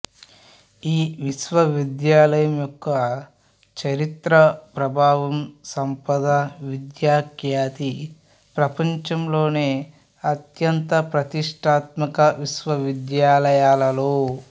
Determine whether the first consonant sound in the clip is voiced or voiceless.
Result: voiced